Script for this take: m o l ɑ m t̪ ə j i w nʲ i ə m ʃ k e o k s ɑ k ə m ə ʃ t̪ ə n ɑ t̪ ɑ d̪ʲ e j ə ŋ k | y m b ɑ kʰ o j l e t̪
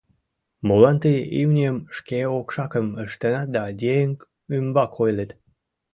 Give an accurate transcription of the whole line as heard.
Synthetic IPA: m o l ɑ n t̪ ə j i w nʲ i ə m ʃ k e o k ʃ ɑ k ə m ə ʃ t̪ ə n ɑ d̪ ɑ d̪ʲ e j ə ŋ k | y m b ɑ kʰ o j l e t̪

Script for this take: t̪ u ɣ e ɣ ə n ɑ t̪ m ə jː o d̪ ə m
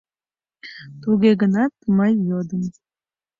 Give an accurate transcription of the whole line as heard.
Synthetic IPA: t̪ u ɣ e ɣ ə n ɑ t̪ m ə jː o d̪ ə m

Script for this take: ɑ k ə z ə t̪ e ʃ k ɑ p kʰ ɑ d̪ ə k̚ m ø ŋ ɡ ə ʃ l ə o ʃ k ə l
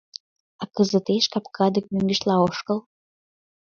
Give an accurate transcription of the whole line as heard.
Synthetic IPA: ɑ k ə z ə t̪ e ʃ k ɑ p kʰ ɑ d̪ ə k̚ m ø ŋ ɡ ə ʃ l ɑ o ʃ k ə l

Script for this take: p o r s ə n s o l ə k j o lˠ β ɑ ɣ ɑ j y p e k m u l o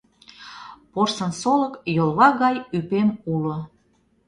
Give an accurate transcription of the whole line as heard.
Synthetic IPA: p o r s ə n s o l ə k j o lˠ β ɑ ɣ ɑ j y p e m u l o

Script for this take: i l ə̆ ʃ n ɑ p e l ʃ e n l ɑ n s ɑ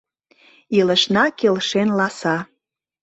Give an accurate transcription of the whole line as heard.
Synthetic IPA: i l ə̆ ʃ n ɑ k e l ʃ e n l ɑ s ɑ

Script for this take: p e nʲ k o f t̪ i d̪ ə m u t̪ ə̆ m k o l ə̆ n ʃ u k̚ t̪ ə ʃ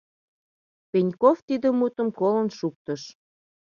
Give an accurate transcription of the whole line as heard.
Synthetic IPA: p e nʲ k o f t̪ i d̪ ə m u t̪ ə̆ m k o l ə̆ n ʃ u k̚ t̪ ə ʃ

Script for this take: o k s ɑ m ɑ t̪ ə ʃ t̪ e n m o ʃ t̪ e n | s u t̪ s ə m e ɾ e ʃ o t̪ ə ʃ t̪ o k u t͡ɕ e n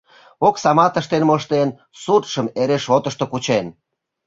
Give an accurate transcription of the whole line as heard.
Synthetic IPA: o k s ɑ m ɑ t̪ ə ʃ t̪ e n m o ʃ t̪ e n | s u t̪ ʃ ə m e ɾ e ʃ o t̪ ə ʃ t̪ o k u t͡ɕ e n

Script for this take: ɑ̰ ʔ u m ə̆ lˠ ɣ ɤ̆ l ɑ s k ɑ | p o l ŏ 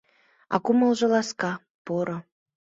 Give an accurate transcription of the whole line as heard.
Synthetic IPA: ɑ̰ k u m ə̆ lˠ ʒ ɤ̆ l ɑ s k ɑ | p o ɾ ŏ

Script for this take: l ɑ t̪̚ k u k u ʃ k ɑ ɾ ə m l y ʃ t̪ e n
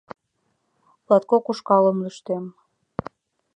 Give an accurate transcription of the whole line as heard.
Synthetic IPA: l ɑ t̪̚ k o k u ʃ k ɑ l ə m l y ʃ t̪ e m

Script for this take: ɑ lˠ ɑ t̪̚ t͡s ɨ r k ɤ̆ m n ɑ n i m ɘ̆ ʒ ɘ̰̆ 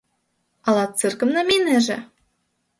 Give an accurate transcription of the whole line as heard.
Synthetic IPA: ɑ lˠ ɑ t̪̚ t͡s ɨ r k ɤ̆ m n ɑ m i n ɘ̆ ʒ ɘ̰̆

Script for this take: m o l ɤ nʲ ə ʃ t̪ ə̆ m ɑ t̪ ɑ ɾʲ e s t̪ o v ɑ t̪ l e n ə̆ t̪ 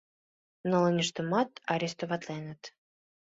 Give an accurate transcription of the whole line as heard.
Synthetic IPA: n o l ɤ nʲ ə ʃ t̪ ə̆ m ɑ t̪ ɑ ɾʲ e s t̪ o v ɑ t̪ l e n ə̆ t̪

